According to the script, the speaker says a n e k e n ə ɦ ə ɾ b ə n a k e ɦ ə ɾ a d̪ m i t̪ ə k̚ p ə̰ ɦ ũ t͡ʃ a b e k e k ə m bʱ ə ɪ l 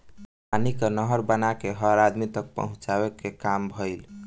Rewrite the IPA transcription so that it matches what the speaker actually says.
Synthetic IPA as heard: a n i k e n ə ɦ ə ɾ b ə n a k e ɦ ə ɾ a d̪ m i t̪ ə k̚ p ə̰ ɦ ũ t͡ʃ a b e k e k a m bʱ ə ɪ l